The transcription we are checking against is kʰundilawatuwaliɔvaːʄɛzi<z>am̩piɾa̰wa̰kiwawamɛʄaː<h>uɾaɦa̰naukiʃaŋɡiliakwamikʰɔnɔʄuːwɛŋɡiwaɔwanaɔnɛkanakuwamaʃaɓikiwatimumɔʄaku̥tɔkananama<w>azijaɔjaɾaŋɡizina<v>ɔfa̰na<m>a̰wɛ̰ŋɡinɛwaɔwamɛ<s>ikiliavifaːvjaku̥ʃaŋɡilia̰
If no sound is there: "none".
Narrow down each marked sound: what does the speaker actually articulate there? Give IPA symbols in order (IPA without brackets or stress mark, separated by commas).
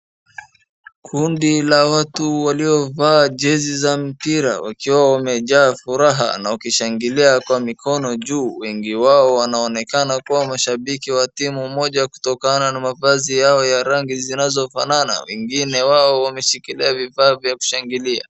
z, f, v, z, n, ʃ